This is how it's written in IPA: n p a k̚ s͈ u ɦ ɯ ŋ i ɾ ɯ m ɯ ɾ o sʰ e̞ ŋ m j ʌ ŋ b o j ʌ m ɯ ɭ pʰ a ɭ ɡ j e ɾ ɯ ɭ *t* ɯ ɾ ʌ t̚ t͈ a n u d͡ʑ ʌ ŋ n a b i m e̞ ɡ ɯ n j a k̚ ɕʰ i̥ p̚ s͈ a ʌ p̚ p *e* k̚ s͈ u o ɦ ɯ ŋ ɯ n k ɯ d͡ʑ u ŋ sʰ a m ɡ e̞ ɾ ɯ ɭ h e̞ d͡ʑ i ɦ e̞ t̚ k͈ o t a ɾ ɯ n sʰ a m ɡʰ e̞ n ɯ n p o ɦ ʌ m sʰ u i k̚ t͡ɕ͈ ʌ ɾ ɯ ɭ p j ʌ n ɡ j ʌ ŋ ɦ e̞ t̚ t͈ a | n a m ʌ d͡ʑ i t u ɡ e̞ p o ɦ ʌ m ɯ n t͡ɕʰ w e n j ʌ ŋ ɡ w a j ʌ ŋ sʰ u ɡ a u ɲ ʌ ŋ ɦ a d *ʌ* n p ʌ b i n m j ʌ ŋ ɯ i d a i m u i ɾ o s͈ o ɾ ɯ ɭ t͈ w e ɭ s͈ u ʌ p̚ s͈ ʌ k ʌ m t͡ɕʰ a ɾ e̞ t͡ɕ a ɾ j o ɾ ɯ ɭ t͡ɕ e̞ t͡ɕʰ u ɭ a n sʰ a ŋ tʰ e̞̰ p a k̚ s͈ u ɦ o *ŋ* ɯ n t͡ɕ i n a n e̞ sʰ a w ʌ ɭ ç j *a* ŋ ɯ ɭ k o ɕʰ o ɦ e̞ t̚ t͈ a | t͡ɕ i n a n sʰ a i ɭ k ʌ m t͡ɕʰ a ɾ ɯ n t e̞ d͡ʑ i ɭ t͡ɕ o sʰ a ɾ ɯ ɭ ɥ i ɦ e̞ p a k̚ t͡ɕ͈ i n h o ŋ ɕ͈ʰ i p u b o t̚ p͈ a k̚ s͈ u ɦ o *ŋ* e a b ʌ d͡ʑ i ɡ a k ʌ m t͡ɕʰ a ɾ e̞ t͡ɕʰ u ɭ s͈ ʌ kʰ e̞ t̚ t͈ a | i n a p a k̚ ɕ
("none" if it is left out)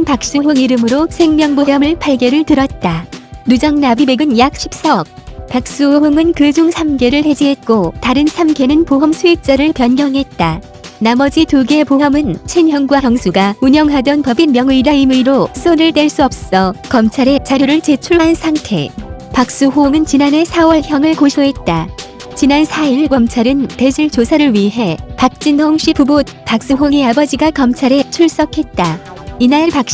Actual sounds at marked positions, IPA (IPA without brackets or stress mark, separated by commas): t, a, ʌ, ŋ, ʌ, ŋ